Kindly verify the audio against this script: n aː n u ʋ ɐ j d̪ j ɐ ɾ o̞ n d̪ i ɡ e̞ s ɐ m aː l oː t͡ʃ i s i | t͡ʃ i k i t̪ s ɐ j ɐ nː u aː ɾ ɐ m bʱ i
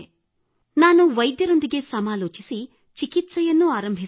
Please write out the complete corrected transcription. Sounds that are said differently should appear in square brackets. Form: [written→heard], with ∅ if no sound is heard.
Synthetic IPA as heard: n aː n u ʋ ɐ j d̪ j ɐ ɾ o̞ n d̪ i ɡ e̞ s ɐ m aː l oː t͡ʃ i s i | t͡ʃ i k i t̪ s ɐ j ɐ nː u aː ɾ ɐ m bʱ i